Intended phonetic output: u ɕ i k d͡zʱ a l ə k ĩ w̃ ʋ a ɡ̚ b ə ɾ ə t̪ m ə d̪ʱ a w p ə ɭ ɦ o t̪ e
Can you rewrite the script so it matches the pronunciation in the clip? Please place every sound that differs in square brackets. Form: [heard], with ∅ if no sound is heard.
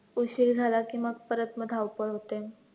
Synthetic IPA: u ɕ i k d͡zʱ a l [a] k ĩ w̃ ʋ a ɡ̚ [p] ə ɾ ə t̪ m ə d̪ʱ a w p ə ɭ ɦ o t̪ e

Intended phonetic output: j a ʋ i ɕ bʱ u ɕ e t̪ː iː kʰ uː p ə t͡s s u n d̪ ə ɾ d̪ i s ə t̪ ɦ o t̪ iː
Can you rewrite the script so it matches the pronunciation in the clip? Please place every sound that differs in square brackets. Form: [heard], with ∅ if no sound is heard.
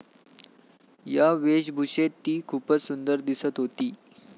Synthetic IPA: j a ʋ [e] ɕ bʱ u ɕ e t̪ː iː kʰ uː p ə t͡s s u n d̪ ə ɾ d̪ i s ə t̪ ɦ o t̪ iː

